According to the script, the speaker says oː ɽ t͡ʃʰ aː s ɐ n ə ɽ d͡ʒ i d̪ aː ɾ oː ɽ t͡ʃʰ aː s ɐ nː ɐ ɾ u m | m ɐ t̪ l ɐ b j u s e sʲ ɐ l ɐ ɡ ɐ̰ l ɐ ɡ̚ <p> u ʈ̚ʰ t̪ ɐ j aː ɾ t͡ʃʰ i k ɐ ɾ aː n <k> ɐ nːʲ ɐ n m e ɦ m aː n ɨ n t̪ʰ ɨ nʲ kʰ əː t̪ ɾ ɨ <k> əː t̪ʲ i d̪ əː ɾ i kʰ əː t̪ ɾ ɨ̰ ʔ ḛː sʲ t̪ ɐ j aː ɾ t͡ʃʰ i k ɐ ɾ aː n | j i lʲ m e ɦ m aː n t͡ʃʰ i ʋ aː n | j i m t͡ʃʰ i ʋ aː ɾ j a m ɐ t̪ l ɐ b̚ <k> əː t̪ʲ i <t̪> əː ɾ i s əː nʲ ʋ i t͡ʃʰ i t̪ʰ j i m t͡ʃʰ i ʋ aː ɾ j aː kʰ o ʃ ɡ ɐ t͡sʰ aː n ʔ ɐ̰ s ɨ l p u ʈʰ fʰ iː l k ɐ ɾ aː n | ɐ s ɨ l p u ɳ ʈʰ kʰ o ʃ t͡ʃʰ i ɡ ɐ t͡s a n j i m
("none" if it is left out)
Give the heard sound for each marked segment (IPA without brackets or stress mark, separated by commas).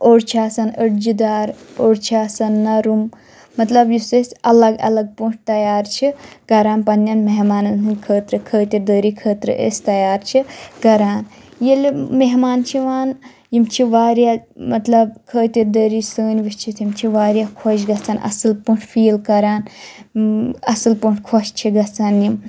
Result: p, p, kʰ, kʰ, d̪